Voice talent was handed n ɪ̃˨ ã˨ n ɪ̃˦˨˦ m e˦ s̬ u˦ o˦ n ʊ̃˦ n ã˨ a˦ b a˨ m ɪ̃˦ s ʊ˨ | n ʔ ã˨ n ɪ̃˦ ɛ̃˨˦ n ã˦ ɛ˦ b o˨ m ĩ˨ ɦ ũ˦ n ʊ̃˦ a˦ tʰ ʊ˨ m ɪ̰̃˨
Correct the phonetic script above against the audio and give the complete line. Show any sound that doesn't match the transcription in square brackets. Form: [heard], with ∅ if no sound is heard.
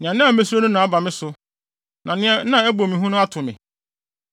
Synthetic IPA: n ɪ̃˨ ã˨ n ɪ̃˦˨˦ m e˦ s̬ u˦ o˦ n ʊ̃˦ n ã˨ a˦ b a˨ m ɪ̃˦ s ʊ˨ | n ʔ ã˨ n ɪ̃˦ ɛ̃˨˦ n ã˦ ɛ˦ b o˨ m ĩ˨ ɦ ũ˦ n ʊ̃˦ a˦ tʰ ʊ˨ m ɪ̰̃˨